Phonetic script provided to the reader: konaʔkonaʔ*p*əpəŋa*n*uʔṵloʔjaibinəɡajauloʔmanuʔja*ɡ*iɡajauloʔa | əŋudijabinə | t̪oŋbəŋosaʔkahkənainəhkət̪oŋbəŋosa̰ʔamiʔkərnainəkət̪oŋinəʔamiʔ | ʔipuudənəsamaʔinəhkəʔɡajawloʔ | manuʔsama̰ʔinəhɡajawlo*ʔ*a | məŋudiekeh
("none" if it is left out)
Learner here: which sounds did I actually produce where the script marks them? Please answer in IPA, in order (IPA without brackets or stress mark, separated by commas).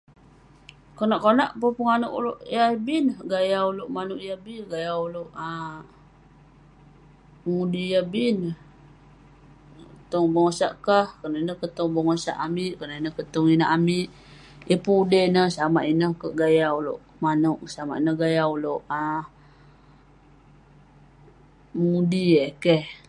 p, n, b, ʔ